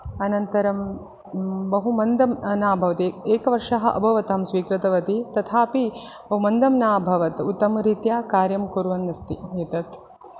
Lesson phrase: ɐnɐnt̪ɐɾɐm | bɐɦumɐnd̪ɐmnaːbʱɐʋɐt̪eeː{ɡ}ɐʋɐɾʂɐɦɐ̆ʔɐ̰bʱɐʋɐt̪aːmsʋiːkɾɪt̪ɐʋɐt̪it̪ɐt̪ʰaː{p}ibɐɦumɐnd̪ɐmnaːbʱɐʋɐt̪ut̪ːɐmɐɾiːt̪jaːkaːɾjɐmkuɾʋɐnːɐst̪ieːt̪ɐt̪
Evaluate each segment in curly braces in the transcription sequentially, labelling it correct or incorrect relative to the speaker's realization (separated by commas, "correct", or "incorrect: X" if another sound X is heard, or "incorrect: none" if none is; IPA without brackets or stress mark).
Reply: incorrect: k, correct